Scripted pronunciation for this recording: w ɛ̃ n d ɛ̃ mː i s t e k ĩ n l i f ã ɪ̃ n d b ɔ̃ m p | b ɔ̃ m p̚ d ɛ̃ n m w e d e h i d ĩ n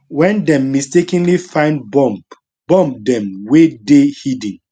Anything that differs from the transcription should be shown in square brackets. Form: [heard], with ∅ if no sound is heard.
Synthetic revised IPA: w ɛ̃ n d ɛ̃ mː i s t e k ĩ n l i f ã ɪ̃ n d b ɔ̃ m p | b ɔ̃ m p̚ d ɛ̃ [∅] m w e d e h i d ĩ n